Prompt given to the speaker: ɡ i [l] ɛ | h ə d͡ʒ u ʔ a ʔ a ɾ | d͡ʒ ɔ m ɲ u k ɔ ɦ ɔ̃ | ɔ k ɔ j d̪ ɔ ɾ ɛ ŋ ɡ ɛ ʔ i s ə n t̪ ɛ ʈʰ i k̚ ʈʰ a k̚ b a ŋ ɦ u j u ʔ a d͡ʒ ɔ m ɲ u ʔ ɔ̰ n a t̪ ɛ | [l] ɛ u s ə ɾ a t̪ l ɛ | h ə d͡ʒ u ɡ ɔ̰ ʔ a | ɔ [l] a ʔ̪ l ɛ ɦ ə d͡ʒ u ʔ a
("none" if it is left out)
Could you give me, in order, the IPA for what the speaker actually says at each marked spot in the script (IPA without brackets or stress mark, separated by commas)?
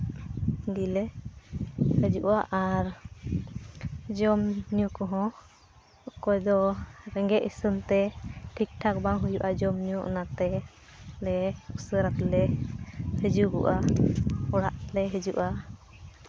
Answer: l, l, ɽ